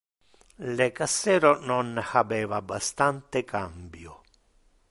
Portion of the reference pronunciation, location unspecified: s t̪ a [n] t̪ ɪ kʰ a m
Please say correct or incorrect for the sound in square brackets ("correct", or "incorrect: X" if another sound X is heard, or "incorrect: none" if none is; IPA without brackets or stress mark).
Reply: correct